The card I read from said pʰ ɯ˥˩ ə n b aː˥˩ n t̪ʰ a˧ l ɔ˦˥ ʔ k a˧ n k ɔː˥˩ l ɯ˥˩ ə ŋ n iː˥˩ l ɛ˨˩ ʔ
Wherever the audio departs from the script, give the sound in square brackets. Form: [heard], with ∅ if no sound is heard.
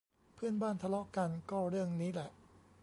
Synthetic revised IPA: pʰ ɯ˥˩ ə n b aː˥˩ n t̪ʰ a˧ l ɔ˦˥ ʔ k a˧ n k ɔː˥˩ [ɾ] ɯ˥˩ ə ŋ n [iː˦˥] l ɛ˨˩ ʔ

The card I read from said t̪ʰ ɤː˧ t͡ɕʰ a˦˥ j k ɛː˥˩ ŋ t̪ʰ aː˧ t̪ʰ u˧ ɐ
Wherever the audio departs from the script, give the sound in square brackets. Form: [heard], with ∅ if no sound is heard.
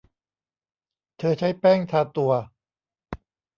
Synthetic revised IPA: t̪ʰ ɤː˧ t͡ɕʰ a˦˥ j [p] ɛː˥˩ ŋ t̪ʰ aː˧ [t̪] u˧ ɐ

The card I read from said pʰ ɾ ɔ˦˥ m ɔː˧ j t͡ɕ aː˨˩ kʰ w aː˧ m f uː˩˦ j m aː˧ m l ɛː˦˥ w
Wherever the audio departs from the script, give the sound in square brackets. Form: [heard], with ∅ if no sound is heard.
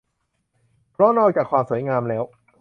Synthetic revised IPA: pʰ ɾ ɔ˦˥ [n] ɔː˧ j t͡ɕ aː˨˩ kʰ w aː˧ m [s] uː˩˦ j [ŋ] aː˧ m l ɛː˦˥ w

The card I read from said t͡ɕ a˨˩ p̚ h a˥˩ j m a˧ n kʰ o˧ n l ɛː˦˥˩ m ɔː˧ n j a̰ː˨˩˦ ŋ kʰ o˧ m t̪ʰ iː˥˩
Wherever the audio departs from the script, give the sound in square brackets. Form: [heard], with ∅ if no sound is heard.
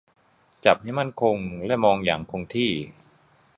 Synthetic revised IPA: t͡ɕ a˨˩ p̚ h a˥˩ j m [a˥˩] n kʰ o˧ [ŋ] l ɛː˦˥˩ m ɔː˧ [ŋ] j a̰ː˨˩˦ ŋ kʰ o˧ [ŋ] t̪ʰ iː˥˩

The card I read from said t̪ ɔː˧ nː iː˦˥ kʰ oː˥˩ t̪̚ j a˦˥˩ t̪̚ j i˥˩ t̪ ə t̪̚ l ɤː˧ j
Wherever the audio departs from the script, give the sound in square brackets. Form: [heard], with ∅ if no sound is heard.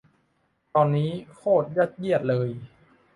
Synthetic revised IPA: t̪ ɔː˧ nː iː˦˥ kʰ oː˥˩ t̪̚ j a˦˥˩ t̪̚ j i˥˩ [∅] ə t̪̚ l ɤː˧ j

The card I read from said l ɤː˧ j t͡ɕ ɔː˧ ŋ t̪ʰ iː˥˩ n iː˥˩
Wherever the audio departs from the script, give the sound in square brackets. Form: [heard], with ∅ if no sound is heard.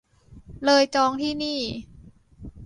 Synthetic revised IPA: l ɤː˧ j t͡ɕ ɔː˧ ŋ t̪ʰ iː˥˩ n iː˥˩

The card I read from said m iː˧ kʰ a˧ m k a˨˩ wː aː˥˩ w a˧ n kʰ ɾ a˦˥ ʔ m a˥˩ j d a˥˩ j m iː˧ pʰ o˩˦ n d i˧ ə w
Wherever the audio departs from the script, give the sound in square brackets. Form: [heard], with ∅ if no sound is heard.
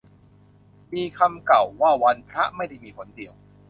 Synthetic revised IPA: m iː˧ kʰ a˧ m k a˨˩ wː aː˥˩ w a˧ n [pʰ] ɾ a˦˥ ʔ m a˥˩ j d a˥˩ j m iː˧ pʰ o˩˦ n d [i˨˩] ə w

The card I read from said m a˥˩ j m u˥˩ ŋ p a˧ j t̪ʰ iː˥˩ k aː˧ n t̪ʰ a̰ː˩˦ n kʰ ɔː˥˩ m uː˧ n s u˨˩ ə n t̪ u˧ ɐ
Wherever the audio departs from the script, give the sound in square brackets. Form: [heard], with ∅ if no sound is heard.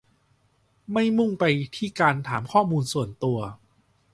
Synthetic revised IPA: m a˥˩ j m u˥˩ ŋ p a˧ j t̪ʰ iː˥˩ k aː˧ n t̪ʰ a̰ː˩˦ [m] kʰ ɔː˥˩ m uː˧ n s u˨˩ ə n t̪ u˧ ɐ

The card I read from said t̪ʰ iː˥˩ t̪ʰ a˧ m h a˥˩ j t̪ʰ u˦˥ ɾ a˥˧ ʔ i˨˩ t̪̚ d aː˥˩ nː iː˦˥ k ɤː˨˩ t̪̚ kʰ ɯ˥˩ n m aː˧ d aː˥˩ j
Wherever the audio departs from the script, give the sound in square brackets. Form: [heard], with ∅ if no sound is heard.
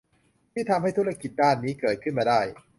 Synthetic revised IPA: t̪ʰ iː˥˩ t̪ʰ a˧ m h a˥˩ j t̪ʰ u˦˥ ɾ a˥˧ [k] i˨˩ t̪̚ d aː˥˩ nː iː˦˥ k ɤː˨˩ t̪̚ kʰ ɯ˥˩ n m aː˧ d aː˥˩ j

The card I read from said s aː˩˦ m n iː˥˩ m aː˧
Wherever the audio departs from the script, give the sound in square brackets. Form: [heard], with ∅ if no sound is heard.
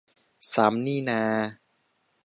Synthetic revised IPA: s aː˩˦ m n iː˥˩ [n] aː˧

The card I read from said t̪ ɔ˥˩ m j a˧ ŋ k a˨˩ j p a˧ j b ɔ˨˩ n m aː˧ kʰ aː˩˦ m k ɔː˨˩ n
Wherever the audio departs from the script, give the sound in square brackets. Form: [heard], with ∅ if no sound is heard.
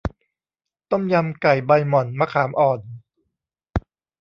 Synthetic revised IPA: t̪ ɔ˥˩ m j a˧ [m] k a˨˩ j [b] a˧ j [m] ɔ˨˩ n m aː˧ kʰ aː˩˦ m [ʔ] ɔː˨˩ n

